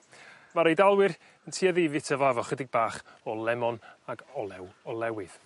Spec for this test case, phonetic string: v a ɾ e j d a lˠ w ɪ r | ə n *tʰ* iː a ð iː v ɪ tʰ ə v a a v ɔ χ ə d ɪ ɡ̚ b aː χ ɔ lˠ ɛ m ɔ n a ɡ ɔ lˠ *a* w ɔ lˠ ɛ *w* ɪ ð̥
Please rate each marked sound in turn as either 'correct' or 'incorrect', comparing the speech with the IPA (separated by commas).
correct, incorrect, correct